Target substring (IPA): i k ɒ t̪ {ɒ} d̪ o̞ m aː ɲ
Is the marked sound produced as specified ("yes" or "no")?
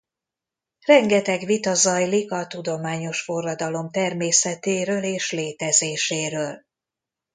no